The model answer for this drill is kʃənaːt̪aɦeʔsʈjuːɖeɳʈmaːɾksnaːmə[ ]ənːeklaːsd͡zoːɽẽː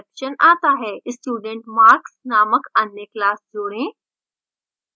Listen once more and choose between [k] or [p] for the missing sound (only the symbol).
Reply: k